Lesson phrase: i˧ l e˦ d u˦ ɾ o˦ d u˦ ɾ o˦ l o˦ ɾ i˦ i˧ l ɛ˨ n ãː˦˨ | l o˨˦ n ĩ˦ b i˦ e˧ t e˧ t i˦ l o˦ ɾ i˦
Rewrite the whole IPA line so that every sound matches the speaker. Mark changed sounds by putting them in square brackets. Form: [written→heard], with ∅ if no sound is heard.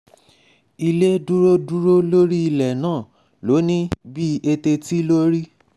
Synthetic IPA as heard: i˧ l e˦ d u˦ ɾ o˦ d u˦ ɾ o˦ l o˦ ɾ i˦ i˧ l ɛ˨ n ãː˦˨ | l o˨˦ n ĩ˦ b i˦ e˧ t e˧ t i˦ l o˦ ɾ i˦